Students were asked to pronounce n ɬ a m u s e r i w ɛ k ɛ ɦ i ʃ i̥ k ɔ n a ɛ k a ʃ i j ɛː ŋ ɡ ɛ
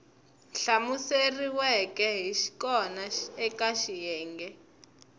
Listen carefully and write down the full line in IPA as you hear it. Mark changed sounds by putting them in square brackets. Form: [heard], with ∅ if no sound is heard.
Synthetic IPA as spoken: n ɬ a m u s e r i w ɛ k ɛ ɦ i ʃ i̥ k ɔ n a ɛ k a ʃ i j ɛː ŋ ɡ ɛ